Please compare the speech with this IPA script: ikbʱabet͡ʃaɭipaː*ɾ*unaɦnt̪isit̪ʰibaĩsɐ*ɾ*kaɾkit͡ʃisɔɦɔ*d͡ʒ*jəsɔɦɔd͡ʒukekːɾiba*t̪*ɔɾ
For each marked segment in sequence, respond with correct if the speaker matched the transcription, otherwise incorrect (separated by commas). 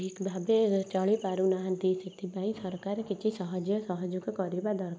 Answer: correct, correct, correct, incorrect